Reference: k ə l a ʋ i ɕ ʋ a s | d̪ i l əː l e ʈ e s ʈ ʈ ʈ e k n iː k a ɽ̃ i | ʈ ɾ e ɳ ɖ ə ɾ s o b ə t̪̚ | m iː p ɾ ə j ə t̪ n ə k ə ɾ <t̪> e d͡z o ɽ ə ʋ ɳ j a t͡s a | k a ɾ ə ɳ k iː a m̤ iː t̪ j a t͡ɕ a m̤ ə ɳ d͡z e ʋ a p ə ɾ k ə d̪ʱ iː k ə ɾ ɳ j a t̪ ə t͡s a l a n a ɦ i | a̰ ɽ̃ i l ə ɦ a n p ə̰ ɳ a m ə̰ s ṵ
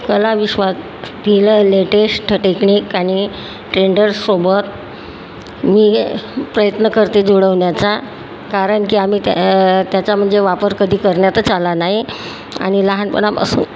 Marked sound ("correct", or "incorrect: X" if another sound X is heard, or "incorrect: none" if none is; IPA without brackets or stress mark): correct